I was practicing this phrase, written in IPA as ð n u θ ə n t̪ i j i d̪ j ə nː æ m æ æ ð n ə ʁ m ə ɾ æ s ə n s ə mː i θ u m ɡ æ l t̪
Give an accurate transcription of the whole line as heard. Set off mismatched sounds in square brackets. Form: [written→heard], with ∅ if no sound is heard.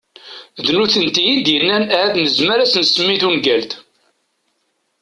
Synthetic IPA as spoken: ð n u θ ə n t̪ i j i d̪ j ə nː æ [m→n] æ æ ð n ə [ʁ→z] m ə ɾ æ s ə n s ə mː i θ u [m→n] ɡ æ l t̪